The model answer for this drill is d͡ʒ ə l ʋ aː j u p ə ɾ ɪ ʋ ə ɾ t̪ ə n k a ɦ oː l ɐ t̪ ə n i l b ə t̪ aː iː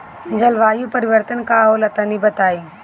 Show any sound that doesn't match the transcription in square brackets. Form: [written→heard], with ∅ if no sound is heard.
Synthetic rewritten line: d͡ʒ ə l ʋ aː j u p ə ɾ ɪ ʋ ə ɾ t̪ ə n k a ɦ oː l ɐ t̪ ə n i [l→∅] b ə t̪ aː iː

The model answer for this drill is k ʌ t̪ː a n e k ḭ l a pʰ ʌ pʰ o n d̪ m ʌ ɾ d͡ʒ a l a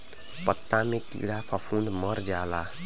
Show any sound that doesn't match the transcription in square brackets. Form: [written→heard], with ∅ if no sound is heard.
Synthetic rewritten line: [k→p] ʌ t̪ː a [n→m] e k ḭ [l→ɽ] a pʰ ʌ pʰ [o→u] n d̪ m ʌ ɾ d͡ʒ a l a

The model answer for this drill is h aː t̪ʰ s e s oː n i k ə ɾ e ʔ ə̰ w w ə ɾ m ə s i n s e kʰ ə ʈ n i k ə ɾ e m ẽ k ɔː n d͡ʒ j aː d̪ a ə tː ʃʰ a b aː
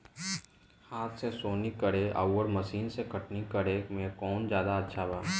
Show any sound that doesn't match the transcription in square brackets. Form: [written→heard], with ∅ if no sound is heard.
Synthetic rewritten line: h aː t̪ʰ s e s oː n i k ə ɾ e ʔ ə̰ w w ə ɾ m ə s [i→iː] n s e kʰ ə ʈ n i k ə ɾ e m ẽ k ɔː n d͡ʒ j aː d̪ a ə tː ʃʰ a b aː

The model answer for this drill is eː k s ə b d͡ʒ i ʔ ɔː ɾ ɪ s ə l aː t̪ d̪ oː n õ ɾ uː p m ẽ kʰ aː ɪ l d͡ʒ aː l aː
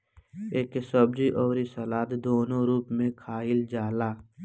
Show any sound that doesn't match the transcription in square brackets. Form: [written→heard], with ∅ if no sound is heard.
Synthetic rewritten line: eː k s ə b d͡ʒ i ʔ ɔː ɾ [ɪ→i] s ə l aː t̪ d̪ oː n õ ɾ uː p m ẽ kʰ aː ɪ l d͡ʒ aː l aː

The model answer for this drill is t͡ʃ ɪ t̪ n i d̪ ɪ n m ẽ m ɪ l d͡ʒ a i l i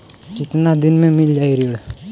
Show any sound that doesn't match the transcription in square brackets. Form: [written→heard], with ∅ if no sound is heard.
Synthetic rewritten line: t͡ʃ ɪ t̪ n [i→a] d̪ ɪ n m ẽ m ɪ l d͡ʒ a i [l→ɾ] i

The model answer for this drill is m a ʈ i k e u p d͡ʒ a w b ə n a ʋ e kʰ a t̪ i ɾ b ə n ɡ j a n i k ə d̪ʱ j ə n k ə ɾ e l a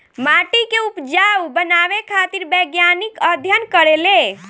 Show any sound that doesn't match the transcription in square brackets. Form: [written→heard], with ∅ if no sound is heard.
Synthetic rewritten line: m a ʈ i k e u p d͡ʒ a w b ə n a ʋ e kʰ a t̪ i ɾ b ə [n→∅] ɡ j a n i k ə d̪ʱ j ə n k ə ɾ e l [a→e]

